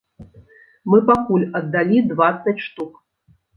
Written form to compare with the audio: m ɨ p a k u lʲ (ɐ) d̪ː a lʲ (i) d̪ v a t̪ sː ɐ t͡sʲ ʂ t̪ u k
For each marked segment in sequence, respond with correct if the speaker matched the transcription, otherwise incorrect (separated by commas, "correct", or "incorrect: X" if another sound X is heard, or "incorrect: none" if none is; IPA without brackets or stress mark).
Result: correct, correct